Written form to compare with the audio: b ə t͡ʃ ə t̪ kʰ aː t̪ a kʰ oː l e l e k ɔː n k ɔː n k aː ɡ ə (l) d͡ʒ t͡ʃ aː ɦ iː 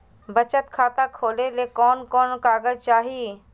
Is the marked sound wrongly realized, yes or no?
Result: yes